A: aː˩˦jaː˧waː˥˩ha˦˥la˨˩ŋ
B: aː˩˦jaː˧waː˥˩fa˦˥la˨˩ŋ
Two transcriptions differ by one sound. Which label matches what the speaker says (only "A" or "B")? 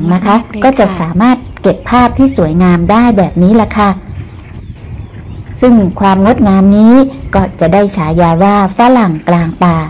B